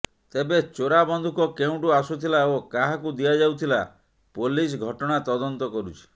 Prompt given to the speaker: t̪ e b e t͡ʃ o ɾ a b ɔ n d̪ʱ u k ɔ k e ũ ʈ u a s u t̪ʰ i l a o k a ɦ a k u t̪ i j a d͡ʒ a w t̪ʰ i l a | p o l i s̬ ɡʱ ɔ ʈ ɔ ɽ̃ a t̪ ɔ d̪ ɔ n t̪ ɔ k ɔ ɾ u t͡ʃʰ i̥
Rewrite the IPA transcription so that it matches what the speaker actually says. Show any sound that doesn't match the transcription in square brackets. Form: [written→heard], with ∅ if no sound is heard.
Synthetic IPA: t̪ e b e t͡ʃ o ɾ a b ɔ n d̪ʱ u k ɔ k e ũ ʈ u a s u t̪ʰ i l a o k a ɦ a k u [t̪→d̪] i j a d͡ʒ a w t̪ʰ i l a | p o l i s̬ ɡʱ ɔ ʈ ɔ ɽ̃ a t̪ ɔ d̪ ɔ n t̪ ɔ k ɔ ɾ u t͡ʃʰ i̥

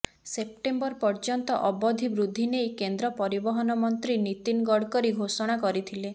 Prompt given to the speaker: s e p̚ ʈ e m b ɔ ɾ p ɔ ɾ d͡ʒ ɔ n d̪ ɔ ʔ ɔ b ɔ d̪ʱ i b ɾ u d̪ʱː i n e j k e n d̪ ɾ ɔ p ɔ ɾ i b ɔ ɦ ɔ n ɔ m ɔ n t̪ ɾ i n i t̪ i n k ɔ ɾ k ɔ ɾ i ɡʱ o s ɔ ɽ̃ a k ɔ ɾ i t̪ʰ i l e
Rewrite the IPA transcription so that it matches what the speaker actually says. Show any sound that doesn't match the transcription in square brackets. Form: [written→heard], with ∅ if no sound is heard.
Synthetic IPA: s e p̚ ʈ e m b ɔ ɾ p ɔ ɾ d͡ʒ ɔ n [d̪→t̪] ɔ ʔ ɔ b ɔ d̪ʱ i b ɾ u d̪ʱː i n e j k e n d̪ ɾ ɔ p ɔ ɾ i b ɔ ɦ ɔ n ɔ m ɔ n t̪ ɾ i n i t̪ i n [k→ɡ] ɔ [ɾ→ɽ] k ɔ ɾ i ɡʱ o s ɔ ɽ̃ a k ɔ ɾ i t̪ʰ i l e

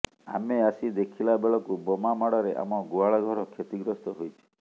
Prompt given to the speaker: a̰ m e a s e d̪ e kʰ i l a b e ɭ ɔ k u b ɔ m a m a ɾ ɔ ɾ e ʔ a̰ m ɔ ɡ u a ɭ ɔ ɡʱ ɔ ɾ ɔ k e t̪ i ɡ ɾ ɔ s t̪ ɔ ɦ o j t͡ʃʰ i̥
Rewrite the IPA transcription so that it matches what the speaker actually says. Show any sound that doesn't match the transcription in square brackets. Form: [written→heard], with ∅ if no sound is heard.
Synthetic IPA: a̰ m e a s [e→i] d̪ e kʰ i l a b e ɭ ɔ k u b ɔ m a m a [ɾ→ɽ] ɔ ɾ e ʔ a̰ m ɔ ɡ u a ɭ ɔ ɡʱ ɔ ɾ ɔ [k→kʰ] e t̪ i ɡ ɾ ɔ s t̪ ɔ ɦ o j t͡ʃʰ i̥

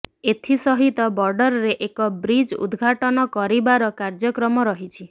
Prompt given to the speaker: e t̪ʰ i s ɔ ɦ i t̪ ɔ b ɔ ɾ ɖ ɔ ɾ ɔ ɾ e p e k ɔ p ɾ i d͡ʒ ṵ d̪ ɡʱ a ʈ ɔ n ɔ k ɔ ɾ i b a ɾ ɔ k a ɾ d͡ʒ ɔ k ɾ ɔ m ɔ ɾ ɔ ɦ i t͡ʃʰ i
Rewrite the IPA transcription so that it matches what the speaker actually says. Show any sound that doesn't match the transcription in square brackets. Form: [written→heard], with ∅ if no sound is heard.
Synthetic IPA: e t̪ʰ i s ɔ ɦ i t̪ ɔ b ɔ ɾ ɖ ɔ ɾ ɔ ɾ e [p→ʔ] e k ɔ [p→b] ɾ i d͡ʒ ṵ d̪ ɡʱ a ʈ ɔ n ɔ k ɔ ɾ i b a ɾ ɔ k a ɾ d͡ʒ ɔ k ɾ ɔ m ɔ ɾ ɔ ɦ i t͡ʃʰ i

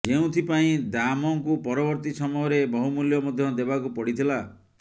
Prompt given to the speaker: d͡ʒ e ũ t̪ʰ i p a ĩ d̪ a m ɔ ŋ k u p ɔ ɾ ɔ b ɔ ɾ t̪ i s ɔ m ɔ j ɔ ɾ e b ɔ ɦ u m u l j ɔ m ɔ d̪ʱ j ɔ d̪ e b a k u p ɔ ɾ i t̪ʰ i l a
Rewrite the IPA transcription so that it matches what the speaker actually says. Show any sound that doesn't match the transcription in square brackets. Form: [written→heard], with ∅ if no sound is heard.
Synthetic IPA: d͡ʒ e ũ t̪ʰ i p a ĩ d̪ a m ɔ ŋ k u p ɔ ɾ ɔ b ɔ ɾ t̪ i s ɔ m ɔ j ɔ ɾ e b ɔ ɦ u m u l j ɔ m ɔ d̪ʱ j ɔ d̪ e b a k u p ɔ [ɾ→ɽ] i t̪ʰ i l a

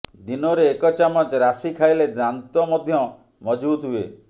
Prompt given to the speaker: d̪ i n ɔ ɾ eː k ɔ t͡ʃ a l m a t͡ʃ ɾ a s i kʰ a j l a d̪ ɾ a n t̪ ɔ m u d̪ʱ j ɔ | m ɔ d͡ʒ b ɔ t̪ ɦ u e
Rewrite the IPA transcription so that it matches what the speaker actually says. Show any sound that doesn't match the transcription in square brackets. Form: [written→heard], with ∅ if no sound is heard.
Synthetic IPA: d̪ i n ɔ ɾ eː k ɔ t͡ʃ a [l→∅] m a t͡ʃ ɾ a s i kʰ a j l [a→e] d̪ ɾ a n t̪ ɔ m [u→ɔ] d̪ʱ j ɔ | m ɔ d͡ʒ b [ɔ→u] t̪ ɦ u e

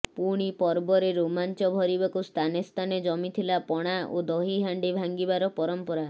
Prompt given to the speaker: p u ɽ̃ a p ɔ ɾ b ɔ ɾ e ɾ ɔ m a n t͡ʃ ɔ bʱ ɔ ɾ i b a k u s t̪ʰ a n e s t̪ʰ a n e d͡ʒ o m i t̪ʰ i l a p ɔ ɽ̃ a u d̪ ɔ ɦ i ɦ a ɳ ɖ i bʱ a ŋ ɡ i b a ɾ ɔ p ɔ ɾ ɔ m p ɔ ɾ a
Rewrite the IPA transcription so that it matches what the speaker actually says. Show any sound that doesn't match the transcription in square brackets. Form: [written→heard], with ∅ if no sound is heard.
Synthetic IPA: p u ɽ̃ [a→i] p ɔ ɾ b ɔ ɾ e ɾ [ɔ→o] m a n t͡ʃ ɔ bʱ ɔ ɾ i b a k u s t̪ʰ a n e s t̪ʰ a n e d͡ʒ [o→ɔ] m i t̪ʰ i l a p ɔ ɽ̃ a [u→o] d̪ ɔ ɦ i ɦ a ɳ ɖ i bʱ a ŋ ɡ i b a ɾ ɔ p ɔ ɾ ɔ m p ɔ ɾ a

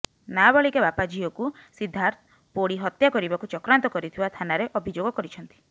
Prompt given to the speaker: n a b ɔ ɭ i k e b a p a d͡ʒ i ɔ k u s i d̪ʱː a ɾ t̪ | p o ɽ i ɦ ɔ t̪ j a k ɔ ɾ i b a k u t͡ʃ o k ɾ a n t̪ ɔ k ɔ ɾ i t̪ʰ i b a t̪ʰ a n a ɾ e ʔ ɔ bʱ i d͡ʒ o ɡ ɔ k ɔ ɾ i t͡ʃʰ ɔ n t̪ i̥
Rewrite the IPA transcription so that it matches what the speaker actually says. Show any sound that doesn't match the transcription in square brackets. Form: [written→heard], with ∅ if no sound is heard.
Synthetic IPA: n a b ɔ ɭ i k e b a p a d͡ʒ i ɔ k u s i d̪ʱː a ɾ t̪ | p o ɽ i ɦ ɔ t̪ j a k ɔ ɾ i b a k u t͡ʃ [o→ɔ] k ɾ a n t̪ ɔ k ɔ ɾ i t̪ʰ i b a t̪ʰ a n a ɾ e ʔ ɔ bʱ i d͡ʒ o ɡ ɔ k ɔ ɾ i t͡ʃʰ ɔ n t̪ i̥

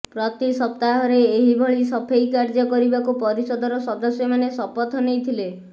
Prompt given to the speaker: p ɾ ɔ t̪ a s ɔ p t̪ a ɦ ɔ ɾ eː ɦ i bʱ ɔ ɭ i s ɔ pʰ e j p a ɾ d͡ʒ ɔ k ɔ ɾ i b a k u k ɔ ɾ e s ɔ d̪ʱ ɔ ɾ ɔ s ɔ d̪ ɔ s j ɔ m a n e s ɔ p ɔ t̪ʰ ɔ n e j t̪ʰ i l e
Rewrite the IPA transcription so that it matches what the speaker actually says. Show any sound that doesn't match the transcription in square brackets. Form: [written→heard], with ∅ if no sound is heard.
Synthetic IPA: p ɾ ɔ t̪ [a→i] s ɔ p t̪ a ɦ ɔ ɾ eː ɦ i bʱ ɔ ɭ i s ɔ pʰ e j [p→k] a ɾ d͡ʒ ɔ k ɔ ɾ i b a k u [k→p] ɔ ɾ [e→i] s ɔ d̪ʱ ɔ ɾ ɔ s ɔ d̪ ɔ s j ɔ m a n e s ɔ p ɔ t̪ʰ ɔ n e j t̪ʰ i l e

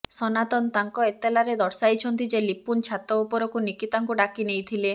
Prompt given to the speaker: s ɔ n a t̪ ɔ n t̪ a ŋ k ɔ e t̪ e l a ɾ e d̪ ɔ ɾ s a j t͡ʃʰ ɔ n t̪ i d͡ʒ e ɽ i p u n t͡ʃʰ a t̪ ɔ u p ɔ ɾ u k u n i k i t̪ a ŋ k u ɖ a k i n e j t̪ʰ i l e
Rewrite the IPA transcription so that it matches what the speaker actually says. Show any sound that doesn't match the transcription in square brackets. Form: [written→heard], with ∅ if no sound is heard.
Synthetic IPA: s ɔ n a t̪ ɔ n t̪ a ŋ k ɔ e t̪ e l a ɾ e d̪ ɔ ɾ s a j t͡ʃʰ ɔ n t̪ i d͡ʒ e [ɽ→l] i p u n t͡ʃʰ a t̪ ɔ u p ɔ ɾ [u→ɔ] k u n i k i t̪ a ŋ k u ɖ a k i n e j t̪ʰ i l e

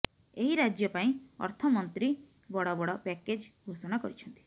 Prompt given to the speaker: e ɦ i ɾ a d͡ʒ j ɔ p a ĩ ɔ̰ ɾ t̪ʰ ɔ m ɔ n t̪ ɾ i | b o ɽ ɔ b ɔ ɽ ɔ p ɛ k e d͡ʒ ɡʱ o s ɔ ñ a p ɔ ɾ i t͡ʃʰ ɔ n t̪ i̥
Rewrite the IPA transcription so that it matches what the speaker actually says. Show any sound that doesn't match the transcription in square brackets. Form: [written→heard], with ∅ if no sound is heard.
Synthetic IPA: e ɦ i ɾ a d͡ʒ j ɔ p a ĩ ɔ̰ ɾ t̪ʰ ɔ m ɔ n t̪ ɾ i | b [o→ɔ] ɽ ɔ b ɔ ɽ ɔ p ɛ k e d͡ʒ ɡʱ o s ɔ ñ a [p→k] ɔ ɾ i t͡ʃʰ ɔ n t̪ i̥

